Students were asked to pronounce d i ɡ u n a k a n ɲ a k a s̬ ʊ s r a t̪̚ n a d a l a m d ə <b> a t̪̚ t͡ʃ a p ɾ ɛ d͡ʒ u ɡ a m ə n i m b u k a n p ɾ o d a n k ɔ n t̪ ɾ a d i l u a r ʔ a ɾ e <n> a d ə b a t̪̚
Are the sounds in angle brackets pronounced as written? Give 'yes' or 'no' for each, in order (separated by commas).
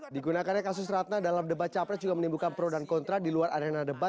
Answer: yes, yes